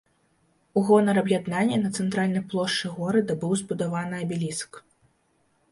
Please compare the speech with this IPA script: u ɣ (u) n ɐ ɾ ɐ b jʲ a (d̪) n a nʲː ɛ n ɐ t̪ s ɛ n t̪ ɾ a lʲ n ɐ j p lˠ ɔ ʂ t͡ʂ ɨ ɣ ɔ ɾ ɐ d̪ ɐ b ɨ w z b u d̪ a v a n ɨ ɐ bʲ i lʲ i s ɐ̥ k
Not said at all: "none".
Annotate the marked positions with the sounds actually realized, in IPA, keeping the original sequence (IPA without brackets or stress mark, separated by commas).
ɔ, d̪